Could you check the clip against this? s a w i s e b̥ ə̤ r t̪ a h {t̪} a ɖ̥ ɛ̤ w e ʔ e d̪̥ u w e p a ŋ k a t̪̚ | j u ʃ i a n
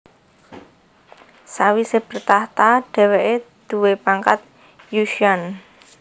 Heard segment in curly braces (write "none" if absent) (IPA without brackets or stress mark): t̪